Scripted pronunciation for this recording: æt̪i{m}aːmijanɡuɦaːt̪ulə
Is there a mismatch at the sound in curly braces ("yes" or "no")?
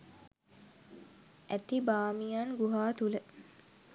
yes